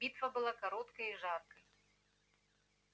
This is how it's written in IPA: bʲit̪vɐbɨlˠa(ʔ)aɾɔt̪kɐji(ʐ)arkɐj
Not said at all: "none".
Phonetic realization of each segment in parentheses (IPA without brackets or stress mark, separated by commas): k, ʐ